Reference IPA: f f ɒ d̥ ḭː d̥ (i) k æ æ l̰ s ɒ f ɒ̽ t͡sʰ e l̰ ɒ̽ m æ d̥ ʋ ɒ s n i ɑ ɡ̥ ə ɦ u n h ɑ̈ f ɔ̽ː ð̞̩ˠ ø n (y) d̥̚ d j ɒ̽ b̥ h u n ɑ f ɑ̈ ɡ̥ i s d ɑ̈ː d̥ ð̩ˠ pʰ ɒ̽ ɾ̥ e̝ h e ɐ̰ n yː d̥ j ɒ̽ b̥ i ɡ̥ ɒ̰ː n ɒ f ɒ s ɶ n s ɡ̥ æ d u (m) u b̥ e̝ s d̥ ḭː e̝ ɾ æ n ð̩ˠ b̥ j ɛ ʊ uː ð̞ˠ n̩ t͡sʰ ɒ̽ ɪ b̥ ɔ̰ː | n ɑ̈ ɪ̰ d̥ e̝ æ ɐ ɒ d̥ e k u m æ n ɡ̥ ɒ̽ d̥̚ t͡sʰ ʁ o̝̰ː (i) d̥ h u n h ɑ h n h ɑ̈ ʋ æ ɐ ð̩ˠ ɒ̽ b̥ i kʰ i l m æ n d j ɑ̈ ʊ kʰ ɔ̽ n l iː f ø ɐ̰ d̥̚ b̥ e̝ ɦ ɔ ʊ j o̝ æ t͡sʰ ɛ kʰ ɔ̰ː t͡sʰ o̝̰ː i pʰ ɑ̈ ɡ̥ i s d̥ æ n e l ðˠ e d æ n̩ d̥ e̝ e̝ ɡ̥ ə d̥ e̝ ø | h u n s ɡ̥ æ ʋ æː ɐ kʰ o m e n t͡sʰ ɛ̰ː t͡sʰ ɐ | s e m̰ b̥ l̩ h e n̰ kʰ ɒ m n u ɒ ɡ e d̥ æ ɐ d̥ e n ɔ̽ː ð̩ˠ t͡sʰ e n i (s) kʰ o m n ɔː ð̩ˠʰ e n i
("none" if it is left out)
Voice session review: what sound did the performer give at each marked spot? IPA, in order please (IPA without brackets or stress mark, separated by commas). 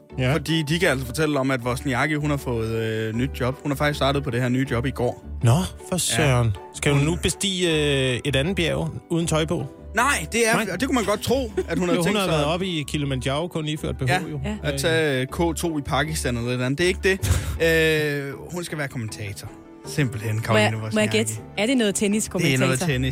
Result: i, y, n, æ, s